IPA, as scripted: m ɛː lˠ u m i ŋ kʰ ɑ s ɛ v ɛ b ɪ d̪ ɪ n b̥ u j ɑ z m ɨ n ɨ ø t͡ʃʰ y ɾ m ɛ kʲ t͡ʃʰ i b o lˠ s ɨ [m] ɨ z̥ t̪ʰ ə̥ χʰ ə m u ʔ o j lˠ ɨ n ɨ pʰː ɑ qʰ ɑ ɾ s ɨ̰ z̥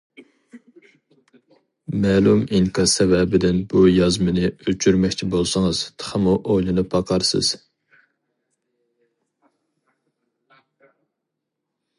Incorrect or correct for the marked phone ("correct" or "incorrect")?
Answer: incorrect